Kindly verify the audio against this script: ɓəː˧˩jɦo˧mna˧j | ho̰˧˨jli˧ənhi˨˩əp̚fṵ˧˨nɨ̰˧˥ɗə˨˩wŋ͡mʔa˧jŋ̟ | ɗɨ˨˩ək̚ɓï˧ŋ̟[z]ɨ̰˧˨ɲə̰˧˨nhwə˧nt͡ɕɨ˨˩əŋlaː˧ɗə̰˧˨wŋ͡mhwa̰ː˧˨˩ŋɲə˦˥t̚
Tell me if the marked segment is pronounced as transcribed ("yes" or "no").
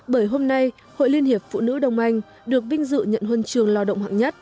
yes